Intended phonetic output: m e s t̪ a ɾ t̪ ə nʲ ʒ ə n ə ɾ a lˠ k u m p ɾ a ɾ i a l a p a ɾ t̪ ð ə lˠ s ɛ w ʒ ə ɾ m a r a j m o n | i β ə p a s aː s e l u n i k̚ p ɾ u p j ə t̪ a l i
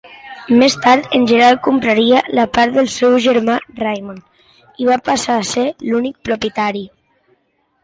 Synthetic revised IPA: m e s t̪ a ɾ t̪ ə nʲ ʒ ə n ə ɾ a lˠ k u m p ɾ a ɾ i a l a p a ɾ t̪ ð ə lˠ s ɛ w ʒ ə ɾ m a r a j m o n | i β a p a s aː s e l u n i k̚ p ɾ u p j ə t̪ a ɾ i